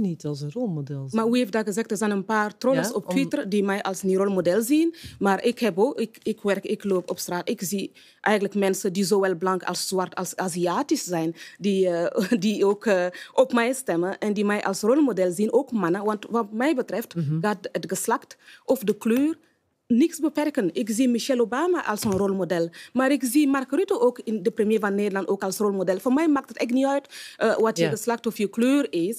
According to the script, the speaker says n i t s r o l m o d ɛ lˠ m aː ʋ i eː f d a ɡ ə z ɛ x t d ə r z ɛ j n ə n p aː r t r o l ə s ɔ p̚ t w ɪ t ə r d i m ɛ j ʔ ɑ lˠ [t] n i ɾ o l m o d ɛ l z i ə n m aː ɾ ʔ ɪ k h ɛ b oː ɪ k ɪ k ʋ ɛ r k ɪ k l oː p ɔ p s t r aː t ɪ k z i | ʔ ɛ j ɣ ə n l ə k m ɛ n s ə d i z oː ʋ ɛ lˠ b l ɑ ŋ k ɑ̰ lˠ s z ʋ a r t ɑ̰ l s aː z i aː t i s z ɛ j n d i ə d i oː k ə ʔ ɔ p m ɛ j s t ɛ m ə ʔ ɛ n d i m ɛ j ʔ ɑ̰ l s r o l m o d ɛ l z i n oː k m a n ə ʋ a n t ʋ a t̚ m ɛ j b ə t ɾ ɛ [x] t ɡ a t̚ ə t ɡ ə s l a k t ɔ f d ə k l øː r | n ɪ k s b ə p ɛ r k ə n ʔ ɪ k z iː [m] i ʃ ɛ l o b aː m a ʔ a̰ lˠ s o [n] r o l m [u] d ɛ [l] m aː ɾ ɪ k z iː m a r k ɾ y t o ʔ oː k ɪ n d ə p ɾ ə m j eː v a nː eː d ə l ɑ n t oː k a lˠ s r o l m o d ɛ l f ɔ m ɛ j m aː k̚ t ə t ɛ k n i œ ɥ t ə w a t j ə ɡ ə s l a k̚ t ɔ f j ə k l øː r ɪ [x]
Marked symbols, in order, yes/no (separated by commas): no, no, yes, yes, no, yes, no